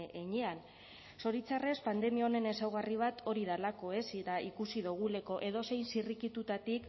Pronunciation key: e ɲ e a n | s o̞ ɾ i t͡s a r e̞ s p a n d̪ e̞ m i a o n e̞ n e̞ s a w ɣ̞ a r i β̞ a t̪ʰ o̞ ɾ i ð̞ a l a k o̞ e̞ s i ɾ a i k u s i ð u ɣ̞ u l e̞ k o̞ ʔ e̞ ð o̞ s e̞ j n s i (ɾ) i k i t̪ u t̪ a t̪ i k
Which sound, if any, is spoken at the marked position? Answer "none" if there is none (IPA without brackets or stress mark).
r